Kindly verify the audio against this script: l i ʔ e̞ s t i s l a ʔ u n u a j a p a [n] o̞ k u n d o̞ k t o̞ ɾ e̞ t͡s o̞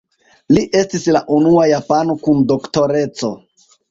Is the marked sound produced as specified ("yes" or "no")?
yes